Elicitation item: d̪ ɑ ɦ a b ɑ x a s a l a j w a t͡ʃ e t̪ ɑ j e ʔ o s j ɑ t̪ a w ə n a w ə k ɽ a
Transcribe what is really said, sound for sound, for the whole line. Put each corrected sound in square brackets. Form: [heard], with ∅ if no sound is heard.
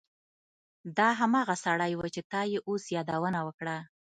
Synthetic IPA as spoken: d̪ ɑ ɦ a [m] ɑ [ɣ] a s a [ɽ] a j w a t͡ʃ e t̪ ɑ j e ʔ o s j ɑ [d̪] a w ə n a w ə k ɽ a